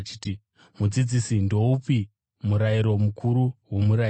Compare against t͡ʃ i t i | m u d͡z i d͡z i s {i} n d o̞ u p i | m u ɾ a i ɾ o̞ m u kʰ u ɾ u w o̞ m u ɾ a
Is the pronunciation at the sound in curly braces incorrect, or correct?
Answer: correct